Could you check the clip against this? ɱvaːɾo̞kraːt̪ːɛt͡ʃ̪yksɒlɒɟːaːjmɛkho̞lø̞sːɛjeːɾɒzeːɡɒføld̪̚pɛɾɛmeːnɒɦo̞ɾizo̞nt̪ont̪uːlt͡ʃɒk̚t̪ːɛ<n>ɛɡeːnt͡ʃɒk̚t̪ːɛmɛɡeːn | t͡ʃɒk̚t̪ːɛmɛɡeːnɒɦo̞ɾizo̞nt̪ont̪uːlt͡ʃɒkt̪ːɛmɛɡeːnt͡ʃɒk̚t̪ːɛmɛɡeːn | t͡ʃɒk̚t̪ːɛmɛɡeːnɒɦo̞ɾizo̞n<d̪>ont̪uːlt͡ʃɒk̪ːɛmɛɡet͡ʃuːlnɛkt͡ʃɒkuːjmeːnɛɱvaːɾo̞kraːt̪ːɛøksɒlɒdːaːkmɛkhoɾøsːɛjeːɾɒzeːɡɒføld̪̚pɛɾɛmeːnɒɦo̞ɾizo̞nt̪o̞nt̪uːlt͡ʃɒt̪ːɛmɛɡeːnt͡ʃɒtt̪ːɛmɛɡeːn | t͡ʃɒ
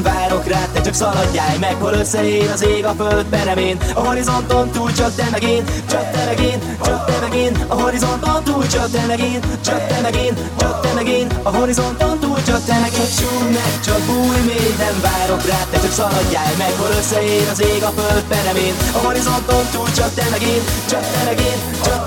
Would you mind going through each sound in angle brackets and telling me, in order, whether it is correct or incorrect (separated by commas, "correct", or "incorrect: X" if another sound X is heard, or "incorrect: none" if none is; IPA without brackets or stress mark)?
incorrect: m, incorrect: t̪